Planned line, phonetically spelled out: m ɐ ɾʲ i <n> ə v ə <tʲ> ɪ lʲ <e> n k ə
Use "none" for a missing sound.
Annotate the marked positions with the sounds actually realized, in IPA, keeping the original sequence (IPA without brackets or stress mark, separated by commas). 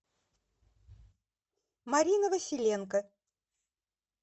n, sʲ, e